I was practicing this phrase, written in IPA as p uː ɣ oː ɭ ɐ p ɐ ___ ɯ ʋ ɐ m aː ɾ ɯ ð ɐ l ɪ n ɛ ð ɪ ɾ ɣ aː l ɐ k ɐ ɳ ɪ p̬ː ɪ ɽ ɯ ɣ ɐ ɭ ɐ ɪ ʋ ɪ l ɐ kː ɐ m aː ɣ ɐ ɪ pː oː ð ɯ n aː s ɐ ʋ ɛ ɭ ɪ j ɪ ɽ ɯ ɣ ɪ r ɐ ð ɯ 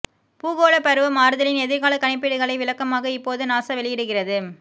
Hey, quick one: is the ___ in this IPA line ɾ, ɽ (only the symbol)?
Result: ɾ